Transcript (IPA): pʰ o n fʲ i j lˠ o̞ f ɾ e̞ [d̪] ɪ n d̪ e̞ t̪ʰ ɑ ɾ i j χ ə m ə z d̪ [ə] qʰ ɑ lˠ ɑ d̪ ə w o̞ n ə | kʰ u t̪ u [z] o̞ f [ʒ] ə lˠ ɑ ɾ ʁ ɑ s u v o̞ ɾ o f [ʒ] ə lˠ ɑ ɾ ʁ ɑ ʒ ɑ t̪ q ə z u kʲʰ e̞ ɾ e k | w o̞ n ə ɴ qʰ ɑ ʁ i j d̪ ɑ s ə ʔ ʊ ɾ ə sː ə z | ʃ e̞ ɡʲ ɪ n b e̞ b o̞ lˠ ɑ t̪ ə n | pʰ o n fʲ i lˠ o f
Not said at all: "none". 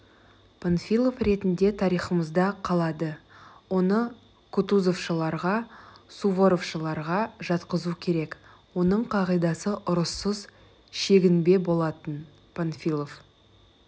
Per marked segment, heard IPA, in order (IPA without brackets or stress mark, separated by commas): t̪, ɑ, z, ʃ, ʃ